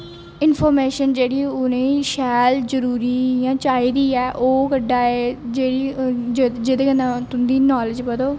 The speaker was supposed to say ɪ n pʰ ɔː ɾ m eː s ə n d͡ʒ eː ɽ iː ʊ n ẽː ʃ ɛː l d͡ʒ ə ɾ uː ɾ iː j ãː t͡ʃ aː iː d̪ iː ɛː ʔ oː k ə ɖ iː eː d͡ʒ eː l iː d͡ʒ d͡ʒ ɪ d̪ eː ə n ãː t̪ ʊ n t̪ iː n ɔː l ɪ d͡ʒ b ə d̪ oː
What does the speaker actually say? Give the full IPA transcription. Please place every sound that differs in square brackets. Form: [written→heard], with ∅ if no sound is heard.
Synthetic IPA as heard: ɪ n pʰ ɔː ɾ m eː [s→ʃ] ə n d͡ʒ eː ɽ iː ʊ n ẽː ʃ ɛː l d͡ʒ ə ɾ uː ɾ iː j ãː t͡ʃ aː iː d̪ iː ɛː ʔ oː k ə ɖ [iː→aː] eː d͡ʒ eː [l→ɽ] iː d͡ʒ d͡ʒ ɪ d̪ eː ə n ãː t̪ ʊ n [t̪→d̪] iː n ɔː l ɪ d͡ʒ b ə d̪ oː